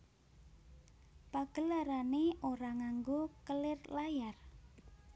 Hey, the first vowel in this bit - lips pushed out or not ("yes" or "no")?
no